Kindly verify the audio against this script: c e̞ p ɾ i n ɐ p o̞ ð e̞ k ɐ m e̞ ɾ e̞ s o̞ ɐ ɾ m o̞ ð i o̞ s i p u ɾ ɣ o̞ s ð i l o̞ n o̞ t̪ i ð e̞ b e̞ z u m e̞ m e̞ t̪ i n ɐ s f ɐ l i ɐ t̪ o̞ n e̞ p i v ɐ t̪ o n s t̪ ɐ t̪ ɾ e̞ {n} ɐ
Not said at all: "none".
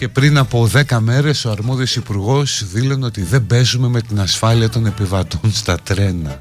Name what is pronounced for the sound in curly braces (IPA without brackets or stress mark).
n